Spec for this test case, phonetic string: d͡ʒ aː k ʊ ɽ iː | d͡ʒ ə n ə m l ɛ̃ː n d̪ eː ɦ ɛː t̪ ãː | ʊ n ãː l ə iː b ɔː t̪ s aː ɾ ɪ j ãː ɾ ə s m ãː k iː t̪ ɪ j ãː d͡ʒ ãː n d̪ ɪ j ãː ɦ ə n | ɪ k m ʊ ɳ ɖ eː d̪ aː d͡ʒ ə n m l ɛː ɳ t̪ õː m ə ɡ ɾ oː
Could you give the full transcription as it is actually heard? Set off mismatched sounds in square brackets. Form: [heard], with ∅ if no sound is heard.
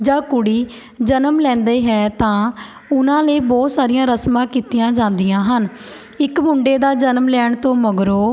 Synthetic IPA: d͡ʒ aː k ʊ ɽ iː | d͡ʒ ə n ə m l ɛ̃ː n d̪ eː ɦ ɛː t̪ ãː | ʊ n ãː l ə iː b ɔː t̪ s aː ɾ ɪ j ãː ɾ ə s m ãː k iː t̪ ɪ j ãː d͡ʒ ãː n d̪ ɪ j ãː ɦ ə n | ɪ k m ʊ ɳ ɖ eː d̪ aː d͡ʒ ə n m l ɛː ɳ t̪ õː m ə ɡ ɾ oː

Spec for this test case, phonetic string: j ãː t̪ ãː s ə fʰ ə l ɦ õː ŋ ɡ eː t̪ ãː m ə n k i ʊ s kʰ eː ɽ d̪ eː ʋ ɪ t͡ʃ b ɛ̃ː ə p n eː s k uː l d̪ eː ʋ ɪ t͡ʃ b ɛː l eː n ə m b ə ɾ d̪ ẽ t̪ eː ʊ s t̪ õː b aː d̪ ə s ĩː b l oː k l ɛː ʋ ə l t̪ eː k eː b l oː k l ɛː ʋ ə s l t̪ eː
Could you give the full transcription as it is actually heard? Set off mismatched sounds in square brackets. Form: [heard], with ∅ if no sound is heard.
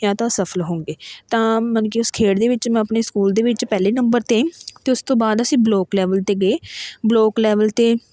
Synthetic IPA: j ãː t̪ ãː s ə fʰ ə l ɦ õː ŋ ɡ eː t̪ ãː m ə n k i ʊ s kʰ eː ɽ d̪ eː ʋ ɪ t͡ʃ [m] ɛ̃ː ə p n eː s k uː l d̪ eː ʋ ɪ t͡ʃ [p] ɛː l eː n ə m b ə ɾ [t̪] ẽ t̪ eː ʊ s t̪ õː b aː d̪ ə s ĩː b l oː k l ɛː ʋ ə l t̪ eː [ɡ] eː b l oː k l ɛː ʋ ə [∅] l t̪ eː

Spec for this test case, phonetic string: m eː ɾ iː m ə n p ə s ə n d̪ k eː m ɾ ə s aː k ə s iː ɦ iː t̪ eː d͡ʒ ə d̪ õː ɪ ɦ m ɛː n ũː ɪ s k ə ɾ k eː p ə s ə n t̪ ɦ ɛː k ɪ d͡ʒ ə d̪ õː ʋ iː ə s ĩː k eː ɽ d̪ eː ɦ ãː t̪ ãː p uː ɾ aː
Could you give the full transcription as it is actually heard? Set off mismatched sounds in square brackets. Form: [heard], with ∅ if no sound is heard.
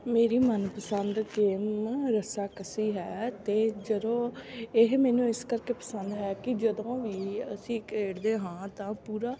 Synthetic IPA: m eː ɾ iː m ə n p ə s ə n d̪ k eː m ɾ ə s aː k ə s iː ɦ [ɛː] t̪ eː d͡ʒ ə d̪ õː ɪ ɦ m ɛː n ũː ɪ s k ə ɾ k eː p ə s ə n [d̪] ɦ ɛː k ɪ d͡ʒ ə d̪ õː ʋ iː ə s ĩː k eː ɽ d̪ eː ɦ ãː t̪ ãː p uː ɾ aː

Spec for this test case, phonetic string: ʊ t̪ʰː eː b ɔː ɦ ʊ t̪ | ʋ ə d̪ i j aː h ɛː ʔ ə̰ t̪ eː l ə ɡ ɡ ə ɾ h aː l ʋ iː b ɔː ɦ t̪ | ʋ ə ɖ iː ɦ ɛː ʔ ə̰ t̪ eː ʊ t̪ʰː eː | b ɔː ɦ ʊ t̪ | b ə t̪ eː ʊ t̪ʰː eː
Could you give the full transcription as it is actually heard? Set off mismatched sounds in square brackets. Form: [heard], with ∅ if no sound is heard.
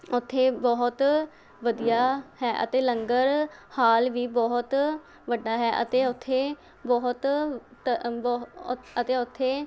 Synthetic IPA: ʊ t̪ʰː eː b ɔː ɦ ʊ t̪ | ʋ ə d̪ i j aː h ɛː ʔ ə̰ t̪ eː l ə [ŋ] ɡ ə ɾ h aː l ʋ iː b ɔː ɦ t̪ | ʋ ə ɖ [aː] ɦ ɛː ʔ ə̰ t̪ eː ʊ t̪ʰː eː | b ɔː ɦ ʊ t̪ | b ə t̪ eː ʊ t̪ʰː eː

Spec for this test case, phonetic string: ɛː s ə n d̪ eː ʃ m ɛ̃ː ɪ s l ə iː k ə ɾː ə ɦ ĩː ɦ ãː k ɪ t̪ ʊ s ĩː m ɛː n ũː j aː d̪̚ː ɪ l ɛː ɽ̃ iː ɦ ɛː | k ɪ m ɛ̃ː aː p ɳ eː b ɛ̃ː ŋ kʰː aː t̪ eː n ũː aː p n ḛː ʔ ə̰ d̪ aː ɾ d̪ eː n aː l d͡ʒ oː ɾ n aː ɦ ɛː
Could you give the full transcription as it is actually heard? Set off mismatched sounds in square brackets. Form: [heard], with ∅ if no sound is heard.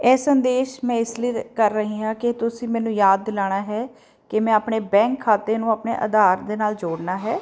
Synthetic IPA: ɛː s ə n d̪ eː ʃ m ɛ̃ː ɪ s l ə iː k ə ɾː ə ɦ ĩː ɦ ãː k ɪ t̪ ʊ s ĩː m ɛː n ũː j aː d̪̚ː ɪ l [aː] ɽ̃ [aː] ɦ ɛː | k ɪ m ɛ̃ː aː p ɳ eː b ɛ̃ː ŋ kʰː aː t̪ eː n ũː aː p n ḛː ʔ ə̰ d̪ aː ɾ d̪ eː n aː l d͡ʒ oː [ɽ] n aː ɦ ɛː

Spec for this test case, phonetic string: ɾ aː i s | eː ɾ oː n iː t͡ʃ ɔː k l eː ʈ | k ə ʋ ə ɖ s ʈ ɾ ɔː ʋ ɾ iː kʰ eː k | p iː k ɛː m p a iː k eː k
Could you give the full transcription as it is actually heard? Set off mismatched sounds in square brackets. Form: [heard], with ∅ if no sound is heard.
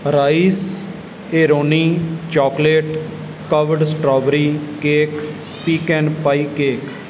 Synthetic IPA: ɾ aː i s | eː ɾ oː n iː t͡ʃ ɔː k l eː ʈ | k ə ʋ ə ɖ s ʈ ɾ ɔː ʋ ɾ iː [k] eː k | p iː k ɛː [n] p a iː k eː k

